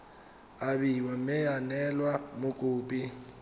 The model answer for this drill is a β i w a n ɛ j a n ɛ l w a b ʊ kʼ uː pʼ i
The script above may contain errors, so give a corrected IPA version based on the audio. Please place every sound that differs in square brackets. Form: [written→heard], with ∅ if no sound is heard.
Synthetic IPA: a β i w a [n→m] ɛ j a n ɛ l w a [b→m] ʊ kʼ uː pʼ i